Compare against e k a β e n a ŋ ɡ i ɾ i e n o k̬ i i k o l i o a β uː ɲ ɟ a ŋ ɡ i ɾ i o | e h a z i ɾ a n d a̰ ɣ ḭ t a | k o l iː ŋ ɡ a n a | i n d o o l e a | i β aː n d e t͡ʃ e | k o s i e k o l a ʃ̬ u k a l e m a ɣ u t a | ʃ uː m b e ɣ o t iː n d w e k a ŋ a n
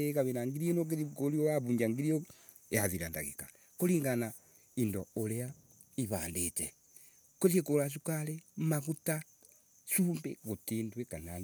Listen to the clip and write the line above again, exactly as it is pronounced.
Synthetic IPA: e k a β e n a ŋ ɡ i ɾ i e n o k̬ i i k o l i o a β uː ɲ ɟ a ŋ ɡ i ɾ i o | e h a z i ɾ a n d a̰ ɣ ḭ k a | k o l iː ŋ ɡ a n a | i n d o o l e a | i β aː n d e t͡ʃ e | k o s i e k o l a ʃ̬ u k a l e m a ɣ u t a | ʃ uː m b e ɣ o t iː n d w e k a n a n